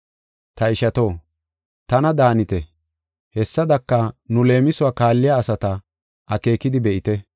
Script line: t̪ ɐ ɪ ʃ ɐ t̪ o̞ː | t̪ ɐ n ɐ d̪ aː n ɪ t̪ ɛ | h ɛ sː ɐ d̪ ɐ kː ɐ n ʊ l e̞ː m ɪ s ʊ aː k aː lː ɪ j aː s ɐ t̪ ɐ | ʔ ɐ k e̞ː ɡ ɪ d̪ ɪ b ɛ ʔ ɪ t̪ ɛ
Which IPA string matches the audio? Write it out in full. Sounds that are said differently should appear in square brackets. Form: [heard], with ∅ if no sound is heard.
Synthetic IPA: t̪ ɐ ɪ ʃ ɐ t̪ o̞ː | t̪ ɐ n ɐ d̪ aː n ɪ t̪ ɛ | h ɛ sː ɐ d̪ ɐ kː ɐ n ʊ l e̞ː m ɪ s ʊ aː k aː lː ɪ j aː s ɐ t̪ ɐ | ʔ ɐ k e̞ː [k] ɪ d̪ ɪ b ɛ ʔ ɪ t̪ ɛ

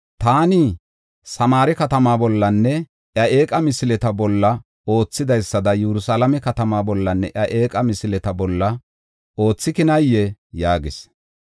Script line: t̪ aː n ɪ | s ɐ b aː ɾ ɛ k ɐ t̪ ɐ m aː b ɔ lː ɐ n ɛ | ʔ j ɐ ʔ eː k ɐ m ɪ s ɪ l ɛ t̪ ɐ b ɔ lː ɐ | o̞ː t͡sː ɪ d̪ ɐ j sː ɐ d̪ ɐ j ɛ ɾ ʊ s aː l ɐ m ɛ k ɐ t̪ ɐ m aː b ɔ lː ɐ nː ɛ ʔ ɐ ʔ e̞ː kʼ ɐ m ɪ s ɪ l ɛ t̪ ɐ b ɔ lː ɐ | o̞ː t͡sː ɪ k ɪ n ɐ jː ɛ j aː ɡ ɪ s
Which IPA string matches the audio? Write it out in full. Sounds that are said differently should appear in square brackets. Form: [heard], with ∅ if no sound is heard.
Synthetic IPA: t̪ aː n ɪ | s ɐ [m] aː ɾ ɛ k ɐ t̪ ɐ m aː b ɔ lː ɐ [nː] ɛ | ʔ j ɐ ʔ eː [kʼ] ɐ m ɪ s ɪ l ɛ t̪ ɐ b ɔ lː ɐ | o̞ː t͡sː ɪ d̪ ɐ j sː ɐ d̪ ɐ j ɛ ɾ ʊ s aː l ɐ m ɛ k ɐ t̪ ɐ m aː b ɔ lː ɐ nː ɛ ʔ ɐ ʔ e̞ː kʼ ɐ m ɪ s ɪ l ɛ t̪ ɐ b ɔ lː ɐ | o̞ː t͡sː ɪ k ɪ n ɐ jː ɛ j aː ɡ ɪ s

